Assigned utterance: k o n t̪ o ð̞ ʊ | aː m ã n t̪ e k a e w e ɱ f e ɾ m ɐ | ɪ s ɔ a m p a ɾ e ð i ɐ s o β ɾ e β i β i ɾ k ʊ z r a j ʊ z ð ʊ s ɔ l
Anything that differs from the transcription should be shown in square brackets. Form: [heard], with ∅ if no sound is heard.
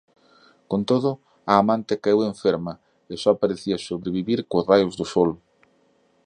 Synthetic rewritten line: k o n t̪ o ð̞ ʊ | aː m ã n t̪ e k a e w e ɱ f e ɾ m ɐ | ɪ s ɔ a [∅] p a ɾ e [θ] i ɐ s o β ɾ e β i β i ɾ k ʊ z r a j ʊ z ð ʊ s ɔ l